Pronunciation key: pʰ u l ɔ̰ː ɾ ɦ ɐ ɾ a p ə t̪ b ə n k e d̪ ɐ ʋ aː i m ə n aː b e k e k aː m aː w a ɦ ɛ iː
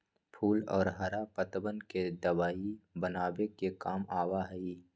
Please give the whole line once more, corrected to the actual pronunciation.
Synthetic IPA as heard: pʰ uː l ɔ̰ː ɾ ɦ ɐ ɾ a p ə t̪ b ə n k e d̪ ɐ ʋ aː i b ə n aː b e k e k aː m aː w a ɦ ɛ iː